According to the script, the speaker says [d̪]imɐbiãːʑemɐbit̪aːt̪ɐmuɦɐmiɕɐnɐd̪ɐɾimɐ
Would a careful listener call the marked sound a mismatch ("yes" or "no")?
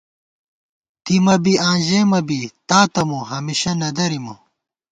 yes